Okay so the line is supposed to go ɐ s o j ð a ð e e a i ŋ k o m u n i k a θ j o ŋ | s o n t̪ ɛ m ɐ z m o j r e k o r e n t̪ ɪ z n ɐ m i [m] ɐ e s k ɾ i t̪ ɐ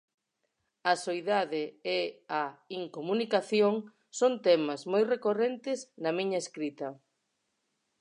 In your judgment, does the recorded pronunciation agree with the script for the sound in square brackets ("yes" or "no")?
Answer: no